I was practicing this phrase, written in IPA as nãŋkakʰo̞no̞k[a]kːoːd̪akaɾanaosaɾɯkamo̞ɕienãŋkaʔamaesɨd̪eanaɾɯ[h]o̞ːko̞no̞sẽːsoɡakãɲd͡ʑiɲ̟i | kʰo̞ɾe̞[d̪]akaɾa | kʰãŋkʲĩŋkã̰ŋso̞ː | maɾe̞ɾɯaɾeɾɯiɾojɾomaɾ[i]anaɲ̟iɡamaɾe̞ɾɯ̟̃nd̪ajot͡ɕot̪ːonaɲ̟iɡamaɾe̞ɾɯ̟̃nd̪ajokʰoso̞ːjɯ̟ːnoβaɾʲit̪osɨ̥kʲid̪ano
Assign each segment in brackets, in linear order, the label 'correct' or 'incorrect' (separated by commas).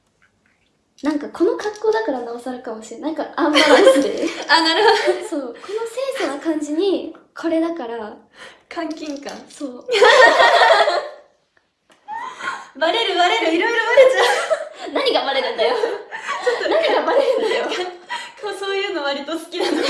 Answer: correct, incorrect, correct, incorrect